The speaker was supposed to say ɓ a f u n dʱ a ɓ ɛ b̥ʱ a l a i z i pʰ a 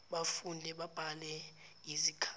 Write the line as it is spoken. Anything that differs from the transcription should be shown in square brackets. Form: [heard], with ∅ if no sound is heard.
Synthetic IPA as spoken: ɓ a f u n dʱ [ɛ] ɓ [a] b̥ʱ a l [ɛ] i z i [kʰ] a